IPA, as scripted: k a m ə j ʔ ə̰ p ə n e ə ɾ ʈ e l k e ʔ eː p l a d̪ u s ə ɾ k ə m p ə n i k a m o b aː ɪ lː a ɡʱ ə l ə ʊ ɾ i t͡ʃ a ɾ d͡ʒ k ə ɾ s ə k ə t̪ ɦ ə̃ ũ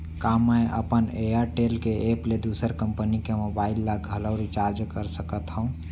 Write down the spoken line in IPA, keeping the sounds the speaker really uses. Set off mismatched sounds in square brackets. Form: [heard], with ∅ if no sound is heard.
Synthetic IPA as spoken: k a m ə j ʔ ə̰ p ə n e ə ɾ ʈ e l k e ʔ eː p l [e] d̪ u s ə ɾ k ə m p ə n i k [e] m o b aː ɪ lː a ɡʱ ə l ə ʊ ɾ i t͡ʃ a ɾ d͡ʒ k ə ɾ s ə k ə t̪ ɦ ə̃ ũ